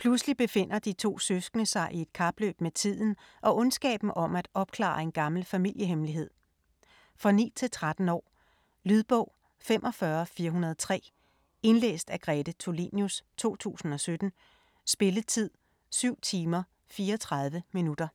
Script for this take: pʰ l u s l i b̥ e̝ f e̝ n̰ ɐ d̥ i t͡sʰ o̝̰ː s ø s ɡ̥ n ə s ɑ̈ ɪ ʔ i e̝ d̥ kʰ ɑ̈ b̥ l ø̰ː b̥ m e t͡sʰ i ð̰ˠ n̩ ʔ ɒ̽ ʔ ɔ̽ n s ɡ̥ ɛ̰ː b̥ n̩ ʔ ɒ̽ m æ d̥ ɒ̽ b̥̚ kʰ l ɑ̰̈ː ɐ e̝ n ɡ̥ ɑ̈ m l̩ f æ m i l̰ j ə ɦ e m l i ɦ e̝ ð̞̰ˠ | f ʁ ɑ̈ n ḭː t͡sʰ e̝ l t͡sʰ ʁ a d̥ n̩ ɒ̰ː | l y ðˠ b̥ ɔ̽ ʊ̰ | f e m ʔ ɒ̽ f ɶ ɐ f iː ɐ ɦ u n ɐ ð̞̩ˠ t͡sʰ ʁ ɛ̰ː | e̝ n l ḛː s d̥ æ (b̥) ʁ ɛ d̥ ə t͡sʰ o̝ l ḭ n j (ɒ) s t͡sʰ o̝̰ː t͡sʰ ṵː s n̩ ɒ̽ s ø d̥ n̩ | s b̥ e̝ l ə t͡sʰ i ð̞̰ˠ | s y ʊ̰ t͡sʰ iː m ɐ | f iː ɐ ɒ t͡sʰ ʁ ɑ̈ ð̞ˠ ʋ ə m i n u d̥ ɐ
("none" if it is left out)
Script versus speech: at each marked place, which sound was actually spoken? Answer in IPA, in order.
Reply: ɡ̥, u

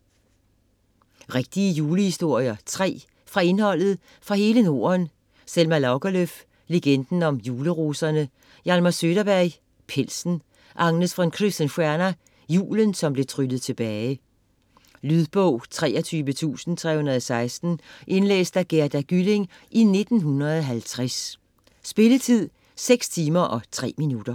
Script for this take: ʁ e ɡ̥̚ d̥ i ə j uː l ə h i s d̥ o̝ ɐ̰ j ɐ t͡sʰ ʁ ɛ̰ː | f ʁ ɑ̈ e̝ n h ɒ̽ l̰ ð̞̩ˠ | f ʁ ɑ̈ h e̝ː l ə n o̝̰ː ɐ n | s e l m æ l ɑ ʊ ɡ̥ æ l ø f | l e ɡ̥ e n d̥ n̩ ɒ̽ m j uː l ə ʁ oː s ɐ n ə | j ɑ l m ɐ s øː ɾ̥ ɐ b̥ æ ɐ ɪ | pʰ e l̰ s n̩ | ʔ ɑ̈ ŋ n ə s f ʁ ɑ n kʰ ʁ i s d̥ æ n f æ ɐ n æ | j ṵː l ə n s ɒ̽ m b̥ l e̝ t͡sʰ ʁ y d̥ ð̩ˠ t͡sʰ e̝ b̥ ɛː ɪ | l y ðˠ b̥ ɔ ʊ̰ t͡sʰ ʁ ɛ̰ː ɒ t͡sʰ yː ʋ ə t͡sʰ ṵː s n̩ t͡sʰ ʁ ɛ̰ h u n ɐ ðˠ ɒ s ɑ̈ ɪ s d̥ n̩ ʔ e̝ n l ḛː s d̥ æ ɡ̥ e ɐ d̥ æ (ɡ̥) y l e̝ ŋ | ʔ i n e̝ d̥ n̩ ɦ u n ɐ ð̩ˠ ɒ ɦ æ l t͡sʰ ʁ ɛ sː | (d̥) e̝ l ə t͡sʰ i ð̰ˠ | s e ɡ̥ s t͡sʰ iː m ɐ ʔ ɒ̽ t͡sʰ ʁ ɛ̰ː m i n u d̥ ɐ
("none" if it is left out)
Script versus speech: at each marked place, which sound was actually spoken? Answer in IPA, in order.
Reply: ɡ̥, b̥

